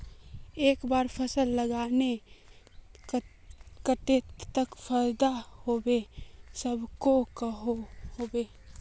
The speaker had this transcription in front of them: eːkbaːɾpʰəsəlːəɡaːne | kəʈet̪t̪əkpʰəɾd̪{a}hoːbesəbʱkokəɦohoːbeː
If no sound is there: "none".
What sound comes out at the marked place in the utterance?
a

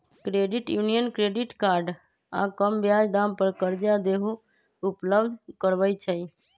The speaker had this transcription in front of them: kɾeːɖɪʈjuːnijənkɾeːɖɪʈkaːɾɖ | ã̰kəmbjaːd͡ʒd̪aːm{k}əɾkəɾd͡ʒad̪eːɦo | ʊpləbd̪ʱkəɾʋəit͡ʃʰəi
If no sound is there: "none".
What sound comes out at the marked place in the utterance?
p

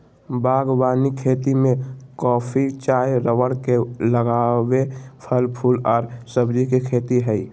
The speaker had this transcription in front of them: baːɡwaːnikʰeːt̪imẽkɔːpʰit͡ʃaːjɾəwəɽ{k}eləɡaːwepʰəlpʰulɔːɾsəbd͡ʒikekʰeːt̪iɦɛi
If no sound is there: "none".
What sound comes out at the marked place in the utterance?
k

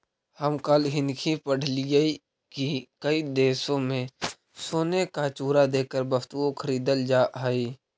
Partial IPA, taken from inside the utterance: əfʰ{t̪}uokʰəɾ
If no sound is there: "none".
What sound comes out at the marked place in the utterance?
t̪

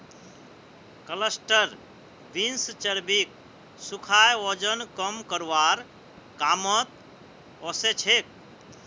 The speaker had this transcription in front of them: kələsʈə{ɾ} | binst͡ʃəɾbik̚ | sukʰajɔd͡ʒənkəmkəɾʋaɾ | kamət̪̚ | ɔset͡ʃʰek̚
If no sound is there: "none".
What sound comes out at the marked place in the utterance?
ɾ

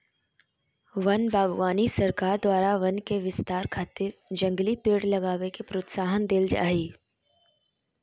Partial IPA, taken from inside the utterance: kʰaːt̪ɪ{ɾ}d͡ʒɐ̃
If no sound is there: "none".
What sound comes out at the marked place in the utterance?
ɾ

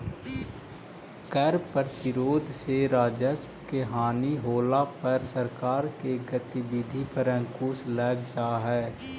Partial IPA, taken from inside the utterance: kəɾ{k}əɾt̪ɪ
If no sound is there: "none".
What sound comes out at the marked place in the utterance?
p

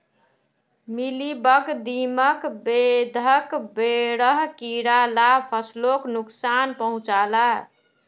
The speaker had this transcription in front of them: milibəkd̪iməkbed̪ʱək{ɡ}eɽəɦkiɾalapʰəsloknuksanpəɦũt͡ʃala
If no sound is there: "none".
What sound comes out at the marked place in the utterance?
b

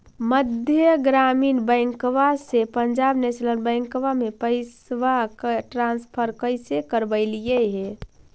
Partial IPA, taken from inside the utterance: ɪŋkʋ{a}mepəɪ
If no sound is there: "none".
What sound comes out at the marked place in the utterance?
a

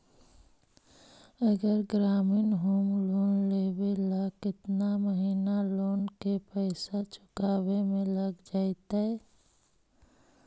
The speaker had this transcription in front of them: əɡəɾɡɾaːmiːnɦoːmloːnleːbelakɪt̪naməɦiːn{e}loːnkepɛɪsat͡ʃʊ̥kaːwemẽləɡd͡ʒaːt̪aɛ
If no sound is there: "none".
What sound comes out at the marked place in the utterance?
a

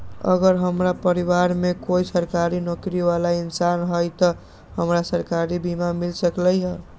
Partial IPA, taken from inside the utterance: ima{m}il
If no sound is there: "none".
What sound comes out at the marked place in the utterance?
m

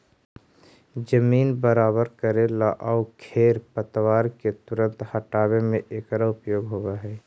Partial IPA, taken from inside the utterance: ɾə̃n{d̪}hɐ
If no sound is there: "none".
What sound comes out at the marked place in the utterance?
t̪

